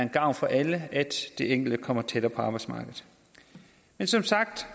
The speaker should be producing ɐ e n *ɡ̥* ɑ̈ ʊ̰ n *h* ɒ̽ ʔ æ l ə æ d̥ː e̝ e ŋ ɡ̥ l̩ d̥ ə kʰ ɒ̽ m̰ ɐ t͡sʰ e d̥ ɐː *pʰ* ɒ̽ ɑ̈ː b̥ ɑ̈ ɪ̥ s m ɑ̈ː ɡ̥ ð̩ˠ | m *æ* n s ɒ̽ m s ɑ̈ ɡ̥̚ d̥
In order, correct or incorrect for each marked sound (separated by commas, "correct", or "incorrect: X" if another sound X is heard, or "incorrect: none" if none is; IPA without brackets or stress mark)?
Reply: correct, incorrect: f, correct, incorrect: e